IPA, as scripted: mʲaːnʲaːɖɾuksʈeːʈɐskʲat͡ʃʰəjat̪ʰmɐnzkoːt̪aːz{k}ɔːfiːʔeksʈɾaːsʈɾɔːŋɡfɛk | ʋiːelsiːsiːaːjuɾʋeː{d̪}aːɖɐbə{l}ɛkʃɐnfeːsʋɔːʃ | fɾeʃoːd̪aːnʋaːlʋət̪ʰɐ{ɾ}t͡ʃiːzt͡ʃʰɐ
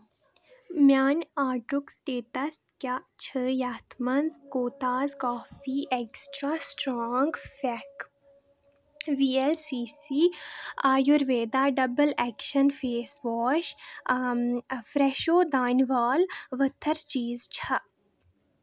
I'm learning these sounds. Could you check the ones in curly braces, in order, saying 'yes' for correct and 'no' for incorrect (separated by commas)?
yes, yes, yes, yes